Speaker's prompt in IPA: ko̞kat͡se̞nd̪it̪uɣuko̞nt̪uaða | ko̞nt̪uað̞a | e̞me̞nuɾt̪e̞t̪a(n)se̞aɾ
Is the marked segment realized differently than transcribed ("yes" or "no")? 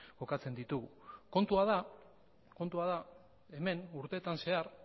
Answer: no